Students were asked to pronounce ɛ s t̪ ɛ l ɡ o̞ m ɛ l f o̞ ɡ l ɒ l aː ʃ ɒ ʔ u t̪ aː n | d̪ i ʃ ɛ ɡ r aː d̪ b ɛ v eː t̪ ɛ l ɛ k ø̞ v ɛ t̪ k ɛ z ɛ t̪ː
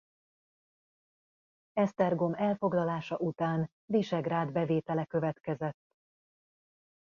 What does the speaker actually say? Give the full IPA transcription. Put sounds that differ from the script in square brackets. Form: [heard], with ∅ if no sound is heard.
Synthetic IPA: ɛ s t̪ ɛ [r] ɡ o̞ m ɛ l f o̞ ɡ l ɒ l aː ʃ ɒ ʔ u t̪ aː n | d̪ i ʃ ɛ ɡ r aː d̪ b ɛ v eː t̪ ɛ l ɛ k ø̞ v ɛ t̪ k ɛ z ɛ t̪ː

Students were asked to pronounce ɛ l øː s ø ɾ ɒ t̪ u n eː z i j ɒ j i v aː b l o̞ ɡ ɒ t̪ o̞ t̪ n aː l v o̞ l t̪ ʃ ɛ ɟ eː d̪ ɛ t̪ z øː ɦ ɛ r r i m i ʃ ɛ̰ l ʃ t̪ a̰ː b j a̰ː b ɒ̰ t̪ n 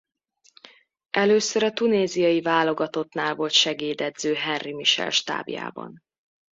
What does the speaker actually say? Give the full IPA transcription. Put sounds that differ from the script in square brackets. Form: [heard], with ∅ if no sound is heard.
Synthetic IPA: ɛ l øː s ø ɾ ɒ t̪ u n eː z i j ɒ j i v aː [∅] l o̞ ɡ ɒ t̪ o̞ t̪ n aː l v o̞ l t̪ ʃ ɛ [ɡ] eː d̪ ɛ [d̪] z øː ɦ ɛ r r i m i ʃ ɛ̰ l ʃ t̪ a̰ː b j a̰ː b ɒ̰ [∅] n

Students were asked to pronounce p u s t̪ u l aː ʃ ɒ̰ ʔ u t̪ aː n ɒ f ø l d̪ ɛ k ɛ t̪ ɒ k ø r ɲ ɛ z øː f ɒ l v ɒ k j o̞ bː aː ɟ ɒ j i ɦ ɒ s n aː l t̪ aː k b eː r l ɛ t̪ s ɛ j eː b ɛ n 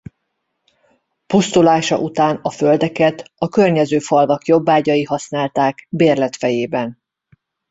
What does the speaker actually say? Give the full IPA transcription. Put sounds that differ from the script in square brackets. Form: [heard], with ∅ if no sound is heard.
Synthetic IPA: p u s t̪ u l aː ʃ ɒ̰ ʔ u t̪ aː n ɒ f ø l d̪ ɛ k ɛ t̪ ɒ k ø r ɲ ɛ z øː f ɒ l v ɒ k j o̞ bː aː ɟ ɒ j i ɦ ɒ s n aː l t̪ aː k b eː r l ɛ t̪ [f] ɛ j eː b ɛ n

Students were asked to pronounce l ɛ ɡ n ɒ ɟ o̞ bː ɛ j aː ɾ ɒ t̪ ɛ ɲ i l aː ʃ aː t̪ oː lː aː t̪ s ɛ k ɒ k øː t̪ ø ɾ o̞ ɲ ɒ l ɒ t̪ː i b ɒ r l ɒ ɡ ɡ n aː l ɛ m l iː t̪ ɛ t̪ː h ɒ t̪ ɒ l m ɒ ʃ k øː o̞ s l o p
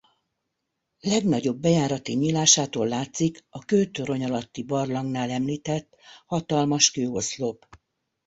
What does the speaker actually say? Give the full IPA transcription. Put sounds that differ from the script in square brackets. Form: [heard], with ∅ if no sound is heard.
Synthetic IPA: l ɛ ɡ n ɒ ɟ o̞ bː ɛ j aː ɾ ɒ t̪ [i] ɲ i l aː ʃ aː t̪ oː lː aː t̪ s [i] k ɒ k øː t̪ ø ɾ o̞ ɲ ɒ l ɒ t̪ː i b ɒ r l ɒ [ŋ] ɡ n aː l ɛ m l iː t̪ ɛ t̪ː h ɒ t̪ ɒ l m ɒ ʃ k øː o̞ s l o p

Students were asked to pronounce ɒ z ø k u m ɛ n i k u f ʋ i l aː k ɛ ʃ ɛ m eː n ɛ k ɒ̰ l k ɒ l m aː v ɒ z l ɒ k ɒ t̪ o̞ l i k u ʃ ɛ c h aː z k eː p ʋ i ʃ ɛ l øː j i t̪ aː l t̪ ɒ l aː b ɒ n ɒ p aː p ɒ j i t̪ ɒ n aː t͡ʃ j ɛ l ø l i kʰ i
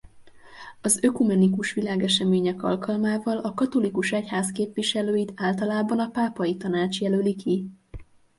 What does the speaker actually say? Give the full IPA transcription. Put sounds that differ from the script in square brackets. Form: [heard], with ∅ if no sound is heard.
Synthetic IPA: ɒ z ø k u m ɛ n i k u [ʃ] ʋ i l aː [ɡ] ɛ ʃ ɛ m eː [ɲ] ɛ k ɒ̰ l k ɒ l m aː v ɒ [∅] l ɒ k ɒ t̪ o̞ l i k u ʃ ɛ c h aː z k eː p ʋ i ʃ ɛ l øː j i t̪ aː l t̪ ɒ l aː b ɒ n ɒ p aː p ɒ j i t̪ ɒ n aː t͡ʃ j ɛ l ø l i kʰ i

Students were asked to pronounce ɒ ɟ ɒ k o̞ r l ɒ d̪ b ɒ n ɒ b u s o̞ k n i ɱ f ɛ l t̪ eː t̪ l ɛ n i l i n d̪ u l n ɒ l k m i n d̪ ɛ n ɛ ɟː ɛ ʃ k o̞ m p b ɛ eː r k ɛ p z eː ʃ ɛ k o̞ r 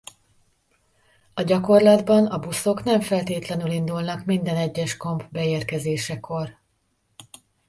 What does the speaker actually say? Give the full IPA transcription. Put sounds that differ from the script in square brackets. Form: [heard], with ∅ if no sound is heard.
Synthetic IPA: ɒ ɟ ɒ k o̞ r l ɒ d̪ b ɒ n ɒ b u s o̞ k n [ɛ] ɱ f ɛ l t̪ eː t̪ l ɛ n [y] l i n d̪ u l n ɒ [∅] k m i n d̪ ɛ n ɛ ɟː ɛ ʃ k o̞ m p b ɛ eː r k ɛ [∅] z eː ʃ ɛ k o̞ r

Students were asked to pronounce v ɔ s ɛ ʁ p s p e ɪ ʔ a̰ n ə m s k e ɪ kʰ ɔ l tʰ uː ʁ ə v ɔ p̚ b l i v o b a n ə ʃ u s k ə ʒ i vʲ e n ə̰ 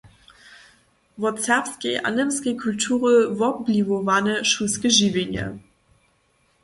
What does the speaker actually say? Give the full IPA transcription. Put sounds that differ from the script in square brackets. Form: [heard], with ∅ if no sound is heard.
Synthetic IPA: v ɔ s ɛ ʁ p s [k] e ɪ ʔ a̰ n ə m s k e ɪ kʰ [u] l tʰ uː ʁ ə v ɔ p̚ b l i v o [v] a n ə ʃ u s k ə ʒ i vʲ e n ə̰

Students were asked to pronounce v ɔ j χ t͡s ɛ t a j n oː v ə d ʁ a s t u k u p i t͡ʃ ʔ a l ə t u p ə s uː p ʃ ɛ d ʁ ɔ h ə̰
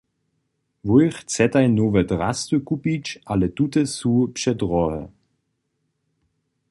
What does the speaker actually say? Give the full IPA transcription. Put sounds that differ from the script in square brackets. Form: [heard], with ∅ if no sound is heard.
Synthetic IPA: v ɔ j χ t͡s ɛ t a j n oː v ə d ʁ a s t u k u p i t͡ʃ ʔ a l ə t u [t] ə s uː p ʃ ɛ d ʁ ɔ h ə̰

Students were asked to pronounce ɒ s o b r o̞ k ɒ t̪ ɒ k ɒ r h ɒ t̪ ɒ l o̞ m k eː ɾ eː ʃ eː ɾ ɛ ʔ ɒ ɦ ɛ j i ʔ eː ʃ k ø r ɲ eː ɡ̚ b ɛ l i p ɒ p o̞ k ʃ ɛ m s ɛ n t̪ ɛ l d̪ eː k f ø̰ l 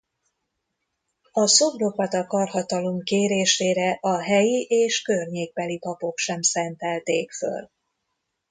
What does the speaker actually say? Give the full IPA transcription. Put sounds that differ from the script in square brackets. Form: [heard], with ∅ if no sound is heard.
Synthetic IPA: ɒ s o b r o̞ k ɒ t̪ ɒ k ɒ r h ɒ t̪ ɒ l o̞ m k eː ɾ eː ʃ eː ɾ ɛ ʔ ɒ ɦ ɛ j i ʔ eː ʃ k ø r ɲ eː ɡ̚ b ɛ l i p ɒ p o̞ k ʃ ɛ m s ɛ n t̪ ɛ l [t̪] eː k f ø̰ l

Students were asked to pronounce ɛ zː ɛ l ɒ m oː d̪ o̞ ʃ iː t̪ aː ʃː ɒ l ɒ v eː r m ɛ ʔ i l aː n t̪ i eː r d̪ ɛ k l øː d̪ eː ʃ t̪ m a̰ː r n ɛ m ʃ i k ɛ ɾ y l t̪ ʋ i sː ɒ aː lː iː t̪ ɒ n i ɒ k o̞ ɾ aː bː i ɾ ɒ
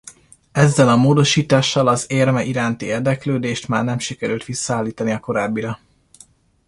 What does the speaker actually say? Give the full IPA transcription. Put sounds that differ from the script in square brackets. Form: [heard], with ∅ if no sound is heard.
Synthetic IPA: ɛ zː ɛ l ɒ m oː d̪ o̞ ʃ iː t̪ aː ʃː ɒ l ɒ [z] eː r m ɛ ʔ i [ɾ] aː n t̪ i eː r d̪ ɛ k l øː d̪ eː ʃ t̪ m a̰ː r n ɛ m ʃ i k ɛ ɾ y l t̪ ʋ i sː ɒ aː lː iː t̪ ɒ n i ɒ k o̞ ɾ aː bː i ɾ ɒ

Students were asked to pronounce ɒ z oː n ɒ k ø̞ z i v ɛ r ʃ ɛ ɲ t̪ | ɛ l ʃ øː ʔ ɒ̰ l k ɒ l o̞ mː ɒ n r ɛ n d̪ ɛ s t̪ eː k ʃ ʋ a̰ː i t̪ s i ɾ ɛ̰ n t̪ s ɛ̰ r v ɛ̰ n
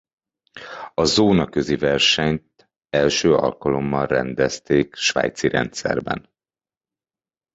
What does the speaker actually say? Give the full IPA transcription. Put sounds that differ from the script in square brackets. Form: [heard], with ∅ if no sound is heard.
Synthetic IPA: ɒ z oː n ɒ k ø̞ z i v ɛ r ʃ ɛ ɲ t̪ | ɛ l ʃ øː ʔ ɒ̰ l k ɒ l o̞ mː ɒ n r ɛ n d̪ ɛ s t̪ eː k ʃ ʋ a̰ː [j] t̪ s i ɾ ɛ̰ n t̪ s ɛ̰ r [b] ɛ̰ n

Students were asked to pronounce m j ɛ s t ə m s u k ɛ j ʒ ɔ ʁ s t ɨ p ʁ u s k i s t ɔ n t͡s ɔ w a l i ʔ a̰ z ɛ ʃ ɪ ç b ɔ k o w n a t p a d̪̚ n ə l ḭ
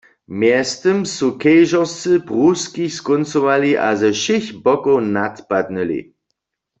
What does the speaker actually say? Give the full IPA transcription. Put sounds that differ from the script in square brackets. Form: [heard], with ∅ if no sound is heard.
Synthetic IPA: m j ɛ s t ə m s u k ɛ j ʒ ɔ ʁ s [t͡s] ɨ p ʁ u s k i s [k] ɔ n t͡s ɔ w a l i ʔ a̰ z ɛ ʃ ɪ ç b ɔ k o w n a t p a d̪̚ n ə l ḭ

